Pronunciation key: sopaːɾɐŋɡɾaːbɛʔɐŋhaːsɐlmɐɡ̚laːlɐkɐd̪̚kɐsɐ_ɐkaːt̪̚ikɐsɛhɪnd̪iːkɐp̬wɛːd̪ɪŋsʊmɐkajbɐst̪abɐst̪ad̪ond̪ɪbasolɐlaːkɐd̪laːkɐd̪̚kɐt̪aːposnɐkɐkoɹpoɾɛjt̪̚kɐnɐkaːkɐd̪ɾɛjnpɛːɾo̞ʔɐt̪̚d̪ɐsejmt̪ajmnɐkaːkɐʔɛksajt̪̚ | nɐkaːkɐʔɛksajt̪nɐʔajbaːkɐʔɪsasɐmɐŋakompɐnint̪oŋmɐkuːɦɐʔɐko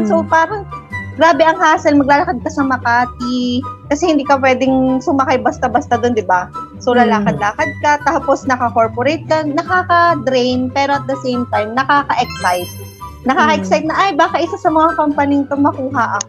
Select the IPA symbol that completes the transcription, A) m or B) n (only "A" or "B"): A